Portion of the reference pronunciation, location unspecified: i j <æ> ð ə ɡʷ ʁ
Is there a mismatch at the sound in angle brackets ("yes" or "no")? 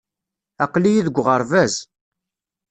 yes